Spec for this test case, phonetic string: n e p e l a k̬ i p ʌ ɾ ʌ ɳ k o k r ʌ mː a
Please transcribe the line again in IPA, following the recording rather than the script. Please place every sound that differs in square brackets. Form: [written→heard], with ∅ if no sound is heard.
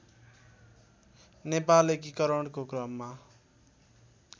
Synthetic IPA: n e p [e→a] l [a→e] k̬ i [p→k] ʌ ɾ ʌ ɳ k o k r ʌ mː a